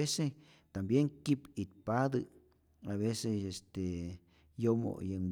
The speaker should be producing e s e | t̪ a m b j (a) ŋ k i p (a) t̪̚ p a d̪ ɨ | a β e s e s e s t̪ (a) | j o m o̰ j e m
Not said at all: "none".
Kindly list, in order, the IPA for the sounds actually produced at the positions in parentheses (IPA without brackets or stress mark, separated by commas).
e, i, e